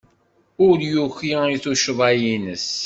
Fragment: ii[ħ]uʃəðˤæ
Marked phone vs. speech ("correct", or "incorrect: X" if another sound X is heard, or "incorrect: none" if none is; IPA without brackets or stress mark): incorrect: θ